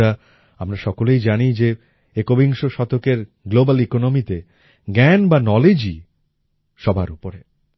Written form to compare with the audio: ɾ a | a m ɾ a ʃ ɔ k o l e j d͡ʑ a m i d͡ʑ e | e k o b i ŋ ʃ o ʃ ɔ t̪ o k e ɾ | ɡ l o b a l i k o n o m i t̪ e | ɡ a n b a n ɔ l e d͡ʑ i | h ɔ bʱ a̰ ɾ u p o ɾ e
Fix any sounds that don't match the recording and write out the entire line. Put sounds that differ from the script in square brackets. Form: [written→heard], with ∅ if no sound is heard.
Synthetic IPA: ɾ a | a m ɾ a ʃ ɔ k o l e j d͡ʑ a [m→n] i d͡ʑ e | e k o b i ŋ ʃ o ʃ ɔ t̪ o k e ɾ | ɡ l o b a l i k o n o m i t̪ e | ɡ [a→ɛ] n b a n ɔ l e d͡ʑ i | [h→ʃ] ɔ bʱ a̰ ɾ u p o ɾ e